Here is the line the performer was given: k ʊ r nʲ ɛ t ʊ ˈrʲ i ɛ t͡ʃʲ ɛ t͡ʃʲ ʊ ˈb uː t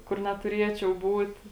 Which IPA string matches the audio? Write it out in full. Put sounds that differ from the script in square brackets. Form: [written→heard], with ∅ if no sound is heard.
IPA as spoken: k ʊ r nʲ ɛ t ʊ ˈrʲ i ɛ t͡ʃʲ ɛ [t͡ʃʲ→∅] ʊ ˈb uː t